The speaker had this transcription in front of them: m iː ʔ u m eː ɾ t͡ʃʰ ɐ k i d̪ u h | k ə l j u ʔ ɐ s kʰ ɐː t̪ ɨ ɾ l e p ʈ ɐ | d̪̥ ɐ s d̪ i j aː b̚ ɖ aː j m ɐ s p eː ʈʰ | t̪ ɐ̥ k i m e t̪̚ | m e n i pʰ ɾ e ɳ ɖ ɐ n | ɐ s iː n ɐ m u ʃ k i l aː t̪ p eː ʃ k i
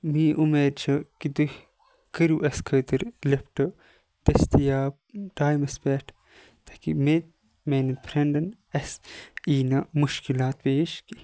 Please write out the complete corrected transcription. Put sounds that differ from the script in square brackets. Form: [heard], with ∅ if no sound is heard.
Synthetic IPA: m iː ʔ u m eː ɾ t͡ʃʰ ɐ k i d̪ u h | k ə [ɾ] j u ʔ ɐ s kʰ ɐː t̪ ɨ ɾ l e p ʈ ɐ | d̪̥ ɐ s [t̪] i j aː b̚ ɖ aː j m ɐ s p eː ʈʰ | t̪ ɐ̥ k i m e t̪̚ | m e n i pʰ ɾ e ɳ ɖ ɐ n | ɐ s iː n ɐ m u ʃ k i l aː t̪ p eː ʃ k i